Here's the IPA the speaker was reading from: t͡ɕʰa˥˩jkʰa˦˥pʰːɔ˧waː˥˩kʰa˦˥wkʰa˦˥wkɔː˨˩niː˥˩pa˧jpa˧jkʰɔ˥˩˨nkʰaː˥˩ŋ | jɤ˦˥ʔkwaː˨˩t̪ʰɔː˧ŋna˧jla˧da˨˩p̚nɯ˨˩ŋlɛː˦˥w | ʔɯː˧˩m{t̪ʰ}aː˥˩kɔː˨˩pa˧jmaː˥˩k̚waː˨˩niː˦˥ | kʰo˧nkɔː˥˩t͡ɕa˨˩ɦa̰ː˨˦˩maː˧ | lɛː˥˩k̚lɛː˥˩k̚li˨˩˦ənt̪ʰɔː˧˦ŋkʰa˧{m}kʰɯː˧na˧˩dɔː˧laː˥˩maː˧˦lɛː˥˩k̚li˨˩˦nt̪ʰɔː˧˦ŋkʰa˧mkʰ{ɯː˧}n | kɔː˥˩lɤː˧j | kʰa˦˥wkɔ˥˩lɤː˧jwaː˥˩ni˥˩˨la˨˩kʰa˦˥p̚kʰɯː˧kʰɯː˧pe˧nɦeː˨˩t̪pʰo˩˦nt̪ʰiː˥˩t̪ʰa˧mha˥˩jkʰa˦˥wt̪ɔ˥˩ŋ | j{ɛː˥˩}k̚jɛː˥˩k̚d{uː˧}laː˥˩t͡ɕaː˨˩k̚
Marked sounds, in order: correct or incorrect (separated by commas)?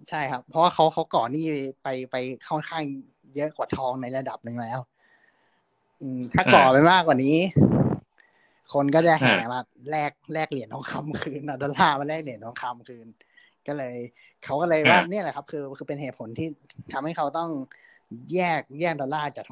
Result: correct, correct, correct, correct, incorrect